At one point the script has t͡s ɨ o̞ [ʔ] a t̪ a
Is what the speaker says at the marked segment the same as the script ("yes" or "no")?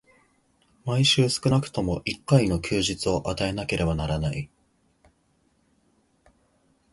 yes